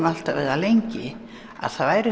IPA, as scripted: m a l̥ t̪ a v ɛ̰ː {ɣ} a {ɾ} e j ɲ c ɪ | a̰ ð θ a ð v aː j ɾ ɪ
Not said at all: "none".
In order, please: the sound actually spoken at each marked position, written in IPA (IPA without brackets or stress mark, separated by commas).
ð, l